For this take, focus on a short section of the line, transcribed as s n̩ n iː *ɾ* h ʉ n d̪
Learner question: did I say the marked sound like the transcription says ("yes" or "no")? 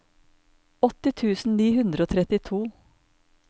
no